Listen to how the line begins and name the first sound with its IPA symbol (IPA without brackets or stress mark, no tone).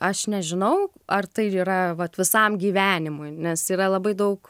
ɐ